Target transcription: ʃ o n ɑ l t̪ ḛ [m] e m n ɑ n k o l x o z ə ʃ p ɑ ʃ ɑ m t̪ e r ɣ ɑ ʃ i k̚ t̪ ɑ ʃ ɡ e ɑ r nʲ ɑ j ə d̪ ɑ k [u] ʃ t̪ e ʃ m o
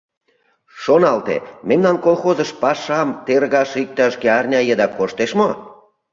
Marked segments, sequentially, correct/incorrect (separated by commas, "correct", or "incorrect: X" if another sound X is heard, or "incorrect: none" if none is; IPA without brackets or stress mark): correct, incorrect: o